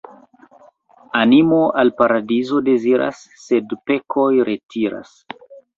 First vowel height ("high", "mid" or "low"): low